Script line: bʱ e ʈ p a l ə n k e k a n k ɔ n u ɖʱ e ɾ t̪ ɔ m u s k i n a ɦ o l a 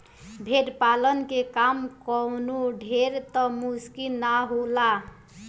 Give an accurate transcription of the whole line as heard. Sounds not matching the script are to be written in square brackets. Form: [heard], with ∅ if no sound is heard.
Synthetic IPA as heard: bʱ e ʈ p a l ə n k e k a [m] k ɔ n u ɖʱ e ɾ t̪ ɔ m u s k i n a ɦ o l a